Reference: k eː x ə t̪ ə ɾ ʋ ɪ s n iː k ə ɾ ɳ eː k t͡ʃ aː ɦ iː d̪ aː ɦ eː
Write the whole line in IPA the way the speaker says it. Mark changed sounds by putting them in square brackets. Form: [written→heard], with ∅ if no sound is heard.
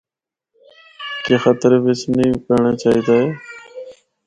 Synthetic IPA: k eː x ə t̪ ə ɾ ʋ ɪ s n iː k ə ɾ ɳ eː [k→∅] t͡ʃ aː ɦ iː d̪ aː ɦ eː